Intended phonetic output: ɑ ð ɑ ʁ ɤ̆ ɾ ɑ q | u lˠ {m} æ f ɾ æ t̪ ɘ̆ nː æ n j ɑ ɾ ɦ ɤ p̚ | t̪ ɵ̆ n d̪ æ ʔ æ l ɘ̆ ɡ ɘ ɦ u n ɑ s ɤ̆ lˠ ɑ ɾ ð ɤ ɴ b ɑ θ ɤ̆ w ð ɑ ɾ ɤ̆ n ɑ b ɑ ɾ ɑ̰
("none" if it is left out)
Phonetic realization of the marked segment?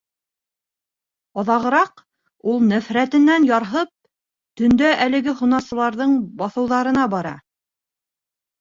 n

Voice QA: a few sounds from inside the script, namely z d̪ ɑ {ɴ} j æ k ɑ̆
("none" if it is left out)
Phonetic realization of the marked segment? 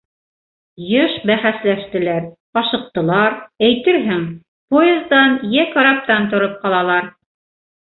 n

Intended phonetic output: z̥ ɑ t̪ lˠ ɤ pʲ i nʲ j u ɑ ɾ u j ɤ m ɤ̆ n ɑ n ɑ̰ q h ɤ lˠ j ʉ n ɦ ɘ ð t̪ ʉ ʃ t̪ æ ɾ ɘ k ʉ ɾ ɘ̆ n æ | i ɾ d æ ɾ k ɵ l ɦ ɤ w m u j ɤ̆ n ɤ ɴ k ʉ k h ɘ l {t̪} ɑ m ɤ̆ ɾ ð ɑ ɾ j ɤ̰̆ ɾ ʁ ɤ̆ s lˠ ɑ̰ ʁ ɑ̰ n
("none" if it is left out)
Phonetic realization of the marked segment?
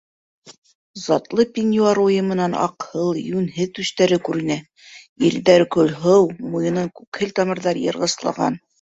t̪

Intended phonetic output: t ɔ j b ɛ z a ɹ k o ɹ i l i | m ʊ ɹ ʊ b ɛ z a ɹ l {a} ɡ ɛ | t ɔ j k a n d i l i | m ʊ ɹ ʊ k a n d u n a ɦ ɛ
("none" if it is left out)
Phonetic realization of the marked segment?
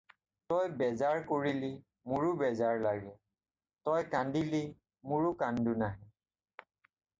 a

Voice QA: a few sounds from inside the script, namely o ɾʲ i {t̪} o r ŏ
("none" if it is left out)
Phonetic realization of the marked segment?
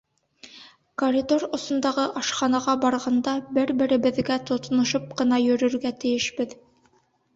d̪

